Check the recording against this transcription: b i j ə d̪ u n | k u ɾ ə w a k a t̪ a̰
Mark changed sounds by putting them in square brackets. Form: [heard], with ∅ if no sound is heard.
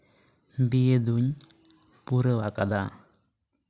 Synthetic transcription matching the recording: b i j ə d̪ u [ɲ] | [p] u ɾ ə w a k a [d̪] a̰